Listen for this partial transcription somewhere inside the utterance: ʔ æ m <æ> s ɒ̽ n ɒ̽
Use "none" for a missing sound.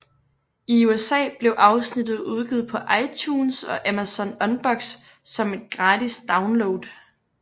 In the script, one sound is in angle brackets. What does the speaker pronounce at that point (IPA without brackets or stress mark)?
æ